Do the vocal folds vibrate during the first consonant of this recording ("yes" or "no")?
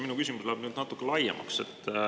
yes